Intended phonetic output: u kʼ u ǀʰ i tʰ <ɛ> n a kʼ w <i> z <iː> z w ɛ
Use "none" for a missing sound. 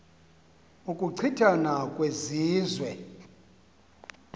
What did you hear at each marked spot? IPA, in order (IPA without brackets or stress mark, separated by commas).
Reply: a, e, iː